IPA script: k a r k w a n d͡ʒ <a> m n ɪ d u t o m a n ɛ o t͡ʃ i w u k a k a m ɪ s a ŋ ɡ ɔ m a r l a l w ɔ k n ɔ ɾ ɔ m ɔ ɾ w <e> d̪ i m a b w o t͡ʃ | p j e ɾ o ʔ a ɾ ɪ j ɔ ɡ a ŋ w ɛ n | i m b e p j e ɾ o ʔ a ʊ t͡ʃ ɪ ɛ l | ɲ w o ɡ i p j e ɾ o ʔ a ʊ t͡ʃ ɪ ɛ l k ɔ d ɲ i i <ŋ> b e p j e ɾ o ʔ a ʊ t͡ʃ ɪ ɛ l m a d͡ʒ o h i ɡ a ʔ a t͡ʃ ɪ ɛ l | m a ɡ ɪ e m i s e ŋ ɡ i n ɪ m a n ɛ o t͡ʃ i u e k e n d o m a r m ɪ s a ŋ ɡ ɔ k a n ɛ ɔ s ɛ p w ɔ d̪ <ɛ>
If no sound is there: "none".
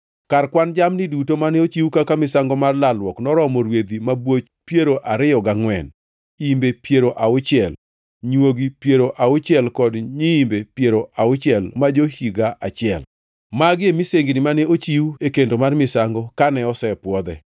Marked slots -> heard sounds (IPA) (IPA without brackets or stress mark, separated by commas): a, e, m, ɛ